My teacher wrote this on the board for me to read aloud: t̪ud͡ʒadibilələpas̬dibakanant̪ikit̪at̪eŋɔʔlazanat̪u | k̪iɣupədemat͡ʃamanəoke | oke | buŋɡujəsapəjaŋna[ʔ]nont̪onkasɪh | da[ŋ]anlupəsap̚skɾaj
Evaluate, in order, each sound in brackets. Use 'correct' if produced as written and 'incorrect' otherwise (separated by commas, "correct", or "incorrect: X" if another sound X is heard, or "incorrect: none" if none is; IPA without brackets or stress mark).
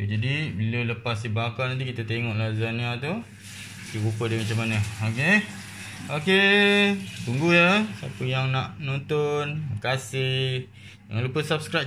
correct, correct